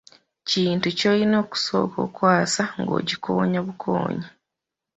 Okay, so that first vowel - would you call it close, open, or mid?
close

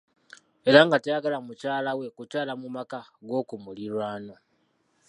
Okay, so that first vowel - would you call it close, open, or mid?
mid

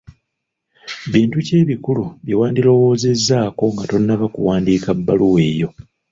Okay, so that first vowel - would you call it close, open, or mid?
close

